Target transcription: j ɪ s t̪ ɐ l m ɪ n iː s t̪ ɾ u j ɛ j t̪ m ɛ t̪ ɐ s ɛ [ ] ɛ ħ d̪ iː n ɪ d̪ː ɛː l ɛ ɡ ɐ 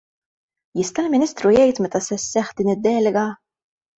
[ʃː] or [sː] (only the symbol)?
sː